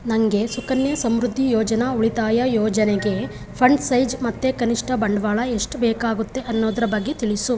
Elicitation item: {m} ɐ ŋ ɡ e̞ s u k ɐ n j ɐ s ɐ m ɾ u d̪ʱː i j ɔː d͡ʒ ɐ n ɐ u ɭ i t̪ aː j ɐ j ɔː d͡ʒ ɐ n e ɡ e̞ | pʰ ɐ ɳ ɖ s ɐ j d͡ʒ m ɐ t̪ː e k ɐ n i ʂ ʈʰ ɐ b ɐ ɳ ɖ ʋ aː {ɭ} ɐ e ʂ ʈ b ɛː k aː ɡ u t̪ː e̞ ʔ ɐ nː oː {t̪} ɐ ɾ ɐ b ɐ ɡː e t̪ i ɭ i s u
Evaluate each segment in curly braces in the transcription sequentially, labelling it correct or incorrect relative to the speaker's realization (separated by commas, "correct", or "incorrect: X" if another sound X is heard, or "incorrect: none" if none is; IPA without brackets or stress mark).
incorrect: n, correct, incorrect: d̪